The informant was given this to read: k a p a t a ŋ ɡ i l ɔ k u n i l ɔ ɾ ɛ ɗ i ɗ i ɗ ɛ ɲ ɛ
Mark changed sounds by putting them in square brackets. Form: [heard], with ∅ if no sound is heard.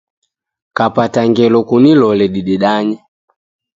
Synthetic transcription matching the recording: k a p a t a ŋ ɡ [ɛ] l ɔ k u n i l ɔ [l] ɛ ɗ i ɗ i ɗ [a] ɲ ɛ

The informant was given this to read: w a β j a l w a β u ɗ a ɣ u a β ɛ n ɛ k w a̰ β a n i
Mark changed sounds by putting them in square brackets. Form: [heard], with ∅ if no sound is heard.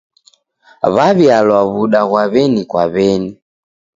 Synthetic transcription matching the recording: [β] a β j a l w a β u ɗ a ɣ [w] a β ɛ n [i] k w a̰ β [ɛ] n i

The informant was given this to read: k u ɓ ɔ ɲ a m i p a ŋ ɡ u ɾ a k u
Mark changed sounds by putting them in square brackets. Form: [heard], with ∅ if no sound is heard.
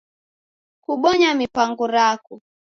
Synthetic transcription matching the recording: k u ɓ ɔ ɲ a m i p a ŋ ɡ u ɾ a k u

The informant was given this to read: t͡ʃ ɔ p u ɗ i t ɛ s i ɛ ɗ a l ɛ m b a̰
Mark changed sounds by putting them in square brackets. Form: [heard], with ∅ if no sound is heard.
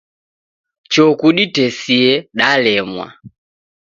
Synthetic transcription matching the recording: t͡ʃ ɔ [k] u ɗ i t ɛ s i ɛ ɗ a l ɛ m [w] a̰

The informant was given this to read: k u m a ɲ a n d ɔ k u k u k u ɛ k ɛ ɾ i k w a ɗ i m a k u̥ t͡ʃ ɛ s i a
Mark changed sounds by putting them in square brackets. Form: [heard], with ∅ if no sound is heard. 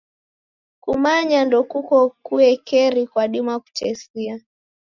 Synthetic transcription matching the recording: k u m a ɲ a n d ɔ k u k [ɔ] k u ɛ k ɛ ɾ i k w a ɗ i m a k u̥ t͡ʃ ɛ s i a

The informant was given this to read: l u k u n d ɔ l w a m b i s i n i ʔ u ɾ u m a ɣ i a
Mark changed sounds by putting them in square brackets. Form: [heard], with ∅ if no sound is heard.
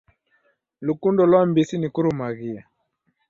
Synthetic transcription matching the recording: l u k u n d ɔ l w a m b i s i n i [k] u ɾ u m a ɣ i a

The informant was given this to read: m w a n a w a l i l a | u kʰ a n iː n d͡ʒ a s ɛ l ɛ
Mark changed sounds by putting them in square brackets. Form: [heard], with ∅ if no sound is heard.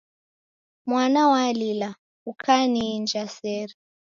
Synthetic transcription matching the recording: m w a n a w a l i l a | u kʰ a n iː n d͡ʒ a s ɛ [ɾ] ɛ

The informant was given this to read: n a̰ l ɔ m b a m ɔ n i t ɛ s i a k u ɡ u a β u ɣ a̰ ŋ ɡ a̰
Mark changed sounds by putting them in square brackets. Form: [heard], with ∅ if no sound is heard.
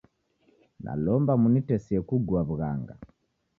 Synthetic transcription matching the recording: n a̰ l ɔ m b a m [u] n i t ɛ s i [ɛ] k u ɡ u a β u ɣ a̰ ŋ ɡ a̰

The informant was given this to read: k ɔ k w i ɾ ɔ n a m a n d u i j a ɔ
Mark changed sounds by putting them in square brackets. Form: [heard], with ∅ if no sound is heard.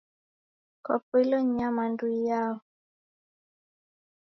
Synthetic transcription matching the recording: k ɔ [p] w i [l] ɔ [ɲ] a m a n d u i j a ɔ

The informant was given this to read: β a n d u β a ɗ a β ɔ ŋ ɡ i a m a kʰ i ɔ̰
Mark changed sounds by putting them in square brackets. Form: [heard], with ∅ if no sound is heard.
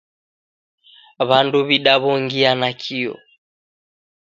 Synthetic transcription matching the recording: β a n d u β [i] ɗ a β ɔ ŋ ɡ i a [n] a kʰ i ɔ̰

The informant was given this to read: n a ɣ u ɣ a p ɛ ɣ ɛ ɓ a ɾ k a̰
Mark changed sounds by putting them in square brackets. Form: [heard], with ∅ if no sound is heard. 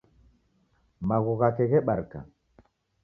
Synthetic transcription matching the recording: [m] a ɣ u ɣ a [k] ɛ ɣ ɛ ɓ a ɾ k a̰

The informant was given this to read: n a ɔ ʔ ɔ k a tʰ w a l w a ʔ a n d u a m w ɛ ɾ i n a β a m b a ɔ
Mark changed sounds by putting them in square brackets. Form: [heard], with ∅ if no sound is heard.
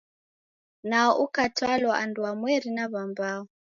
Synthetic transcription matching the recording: n a ɔ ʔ [u] k a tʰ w a l w a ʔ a n d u a m w ɛ ɾ i n a β a m b a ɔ

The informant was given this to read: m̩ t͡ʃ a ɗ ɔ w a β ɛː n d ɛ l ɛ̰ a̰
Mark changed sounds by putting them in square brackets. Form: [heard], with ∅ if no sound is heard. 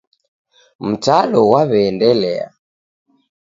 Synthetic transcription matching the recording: m̩ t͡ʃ a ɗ ɔ w a β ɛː n d ɛ l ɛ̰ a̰

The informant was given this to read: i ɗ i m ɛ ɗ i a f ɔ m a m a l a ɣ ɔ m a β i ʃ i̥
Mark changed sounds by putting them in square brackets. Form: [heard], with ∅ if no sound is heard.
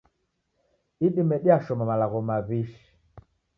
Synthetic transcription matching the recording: i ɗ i m ɛ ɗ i a [ʃ] ɔ m a m a l a ɣ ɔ m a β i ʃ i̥

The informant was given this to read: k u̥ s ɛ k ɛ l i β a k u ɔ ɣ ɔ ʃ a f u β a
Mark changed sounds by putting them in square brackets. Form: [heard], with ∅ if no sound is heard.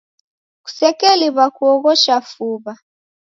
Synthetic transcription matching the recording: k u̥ s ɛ k ɛ l i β a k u ɔ ɣ ɔ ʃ a f u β a

